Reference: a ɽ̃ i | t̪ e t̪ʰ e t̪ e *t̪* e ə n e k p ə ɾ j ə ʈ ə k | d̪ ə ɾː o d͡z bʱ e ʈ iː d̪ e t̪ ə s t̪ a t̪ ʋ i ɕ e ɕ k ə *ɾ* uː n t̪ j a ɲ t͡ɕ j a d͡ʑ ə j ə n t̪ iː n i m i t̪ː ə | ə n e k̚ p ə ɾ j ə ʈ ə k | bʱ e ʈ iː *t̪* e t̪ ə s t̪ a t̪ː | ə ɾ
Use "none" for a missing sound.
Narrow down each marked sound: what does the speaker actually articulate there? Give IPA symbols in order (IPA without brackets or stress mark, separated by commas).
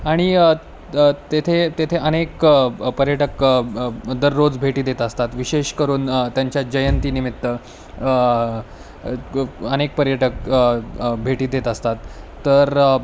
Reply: t̪ʰ, ɾ, d̪